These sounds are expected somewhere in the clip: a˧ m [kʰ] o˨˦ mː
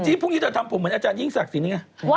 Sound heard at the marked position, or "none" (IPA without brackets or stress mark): pʰ